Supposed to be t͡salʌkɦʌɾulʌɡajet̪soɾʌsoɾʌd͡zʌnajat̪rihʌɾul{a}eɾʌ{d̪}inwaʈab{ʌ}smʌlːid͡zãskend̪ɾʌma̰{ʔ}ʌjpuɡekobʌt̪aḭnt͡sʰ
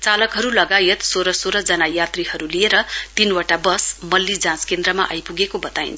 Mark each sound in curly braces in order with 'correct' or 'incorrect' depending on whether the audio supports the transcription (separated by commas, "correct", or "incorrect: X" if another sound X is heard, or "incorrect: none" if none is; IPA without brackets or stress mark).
incorrect: i, incorrect: t̪, correct, correct